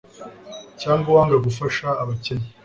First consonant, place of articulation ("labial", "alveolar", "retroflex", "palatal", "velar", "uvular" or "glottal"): palatal